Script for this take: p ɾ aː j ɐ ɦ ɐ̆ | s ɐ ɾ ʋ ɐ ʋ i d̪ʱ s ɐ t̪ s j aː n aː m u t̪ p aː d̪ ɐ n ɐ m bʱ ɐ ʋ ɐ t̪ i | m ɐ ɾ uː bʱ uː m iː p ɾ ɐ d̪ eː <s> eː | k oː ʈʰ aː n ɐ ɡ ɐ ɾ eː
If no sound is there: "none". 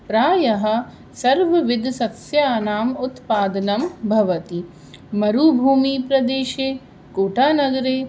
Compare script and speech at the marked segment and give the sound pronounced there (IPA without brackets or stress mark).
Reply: ʃ